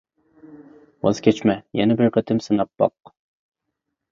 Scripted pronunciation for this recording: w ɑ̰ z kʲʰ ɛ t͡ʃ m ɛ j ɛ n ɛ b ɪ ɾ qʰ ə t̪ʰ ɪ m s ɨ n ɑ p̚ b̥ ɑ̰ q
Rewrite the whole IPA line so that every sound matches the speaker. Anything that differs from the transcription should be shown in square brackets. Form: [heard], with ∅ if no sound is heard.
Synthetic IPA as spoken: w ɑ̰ z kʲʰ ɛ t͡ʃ m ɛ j ɛ n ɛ b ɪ ɾ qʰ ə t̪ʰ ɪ m s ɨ n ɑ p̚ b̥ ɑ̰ q

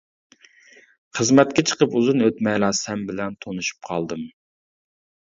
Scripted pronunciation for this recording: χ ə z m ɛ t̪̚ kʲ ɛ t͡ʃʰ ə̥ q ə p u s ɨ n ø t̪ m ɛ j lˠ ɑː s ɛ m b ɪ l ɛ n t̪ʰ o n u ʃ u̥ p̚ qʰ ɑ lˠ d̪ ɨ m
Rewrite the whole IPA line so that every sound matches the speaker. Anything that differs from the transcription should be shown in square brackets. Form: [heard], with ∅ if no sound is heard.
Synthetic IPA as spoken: χ ə z m ɛ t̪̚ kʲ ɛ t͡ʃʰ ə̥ q ə p u [z] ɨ n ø t̪ m ɛ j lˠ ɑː s ɛ m b ɪ l ɛ n t̪ʰ o n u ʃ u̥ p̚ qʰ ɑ lˠ d̪ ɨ m

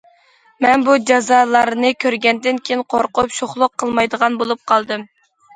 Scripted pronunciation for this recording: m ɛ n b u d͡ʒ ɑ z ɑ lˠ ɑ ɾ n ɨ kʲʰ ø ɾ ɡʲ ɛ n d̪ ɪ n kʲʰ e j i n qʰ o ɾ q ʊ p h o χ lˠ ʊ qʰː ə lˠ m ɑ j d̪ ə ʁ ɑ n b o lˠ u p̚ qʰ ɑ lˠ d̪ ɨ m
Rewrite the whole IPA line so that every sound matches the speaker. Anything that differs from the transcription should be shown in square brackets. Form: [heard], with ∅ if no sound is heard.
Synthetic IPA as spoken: m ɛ n b u d͡ʒ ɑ z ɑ lˠ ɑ ɾ n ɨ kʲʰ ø ɾ ɡʲ ɛ n d̪ ɪ n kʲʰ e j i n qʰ o ɾ q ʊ p [ʃ] o χ lˠ ʊ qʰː ə lˠ m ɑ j d̪ ə ʁ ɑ n b o lˠ u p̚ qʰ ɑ lˠ d̪ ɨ m

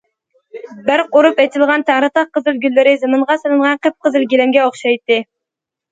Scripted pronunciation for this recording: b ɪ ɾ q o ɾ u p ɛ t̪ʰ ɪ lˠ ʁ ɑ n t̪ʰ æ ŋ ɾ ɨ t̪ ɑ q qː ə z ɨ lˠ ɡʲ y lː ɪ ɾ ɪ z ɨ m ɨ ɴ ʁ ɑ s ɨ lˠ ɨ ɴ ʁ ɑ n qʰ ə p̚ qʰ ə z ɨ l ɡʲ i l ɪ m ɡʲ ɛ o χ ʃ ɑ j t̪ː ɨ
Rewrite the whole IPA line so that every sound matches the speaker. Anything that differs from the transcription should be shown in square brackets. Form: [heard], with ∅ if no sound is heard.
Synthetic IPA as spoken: b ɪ ɾ q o ɾ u p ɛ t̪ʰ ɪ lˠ ʁ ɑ n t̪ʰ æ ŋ ɾ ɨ t̪ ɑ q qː ə z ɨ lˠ ɡʲ y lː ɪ ɾ ɪ z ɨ m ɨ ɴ ʁ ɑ s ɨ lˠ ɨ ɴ ʁ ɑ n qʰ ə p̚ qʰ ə z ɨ l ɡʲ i l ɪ m ɡʲ ɛ o χ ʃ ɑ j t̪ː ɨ

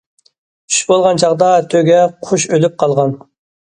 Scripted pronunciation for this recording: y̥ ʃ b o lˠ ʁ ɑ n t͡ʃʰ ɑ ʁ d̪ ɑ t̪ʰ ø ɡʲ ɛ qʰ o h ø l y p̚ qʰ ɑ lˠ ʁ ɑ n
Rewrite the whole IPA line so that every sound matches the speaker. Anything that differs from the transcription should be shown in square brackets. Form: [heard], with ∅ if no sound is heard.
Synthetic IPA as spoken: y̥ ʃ b o lˠ ʁ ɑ n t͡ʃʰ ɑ ʁ d̪ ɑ t̪ʰ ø ɡʲ ɛ qʰ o [ʃ] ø l y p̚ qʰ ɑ lˠ ʁ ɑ n

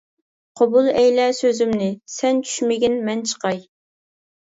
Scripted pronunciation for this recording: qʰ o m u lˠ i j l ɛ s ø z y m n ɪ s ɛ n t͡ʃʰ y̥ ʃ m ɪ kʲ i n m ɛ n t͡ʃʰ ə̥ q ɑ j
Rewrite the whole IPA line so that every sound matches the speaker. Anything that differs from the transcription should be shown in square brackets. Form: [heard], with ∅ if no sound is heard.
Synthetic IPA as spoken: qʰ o [b] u lˠ [ɛ] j l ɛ s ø z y m n ɪ s ɛ n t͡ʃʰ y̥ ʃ m ɪ [ɡʲ] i n m ɛ n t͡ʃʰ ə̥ q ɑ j

